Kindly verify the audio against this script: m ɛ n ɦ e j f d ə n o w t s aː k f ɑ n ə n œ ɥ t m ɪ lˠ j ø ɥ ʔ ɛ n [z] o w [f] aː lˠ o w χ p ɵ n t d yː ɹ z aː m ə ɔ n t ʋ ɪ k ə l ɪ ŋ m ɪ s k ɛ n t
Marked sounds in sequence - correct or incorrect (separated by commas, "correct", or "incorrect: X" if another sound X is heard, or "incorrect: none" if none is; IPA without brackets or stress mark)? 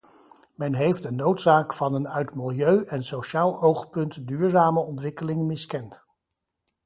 incorrect: s, incorrect: ʃ